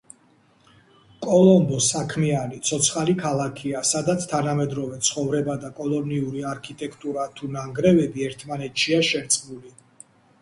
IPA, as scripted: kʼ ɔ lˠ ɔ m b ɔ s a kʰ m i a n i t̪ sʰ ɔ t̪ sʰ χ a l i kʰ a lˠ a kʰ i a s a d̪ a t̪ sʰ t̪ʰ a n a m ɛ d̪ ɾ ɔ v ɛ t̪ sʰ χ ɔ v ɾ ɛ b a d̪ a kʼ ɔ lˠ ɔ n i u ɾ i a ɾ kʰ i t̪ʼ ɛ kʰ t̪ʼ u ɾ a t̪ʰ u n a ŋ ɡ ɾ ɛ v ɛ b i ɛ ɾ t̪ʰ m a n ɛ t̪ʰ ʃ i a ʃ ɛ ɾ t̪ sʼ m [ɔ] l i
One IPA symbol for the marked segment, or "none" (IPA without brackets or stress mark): u